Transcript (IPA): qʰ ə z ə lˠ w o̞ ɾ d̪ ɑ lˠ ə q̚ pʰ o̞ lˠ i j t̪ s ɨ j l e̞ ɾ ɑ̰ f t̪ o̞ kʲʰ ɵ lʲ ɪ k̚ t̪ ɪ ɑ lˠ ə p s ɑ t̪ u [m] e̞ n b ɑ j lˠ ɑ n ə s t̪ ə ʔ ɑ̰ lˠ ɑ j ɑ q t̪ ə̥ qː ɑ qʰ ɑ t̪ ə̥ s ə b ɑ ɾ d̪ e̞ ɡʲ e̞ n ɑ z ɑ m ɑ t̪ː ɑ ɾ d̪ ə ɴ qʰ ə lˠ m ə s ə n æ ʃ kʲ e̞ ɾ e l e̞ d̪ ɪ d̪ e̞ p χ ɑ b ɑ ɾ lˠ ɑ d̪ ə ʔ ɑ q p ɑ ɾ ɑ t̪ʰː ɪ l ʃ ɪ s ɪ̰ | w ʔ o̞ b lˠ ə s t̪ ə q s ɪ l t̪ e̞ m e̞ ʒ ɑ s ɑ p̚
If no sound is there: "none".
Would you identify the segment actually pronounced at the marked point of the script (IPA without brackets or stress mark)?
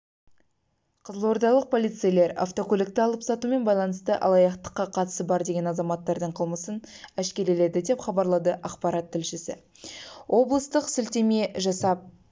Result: m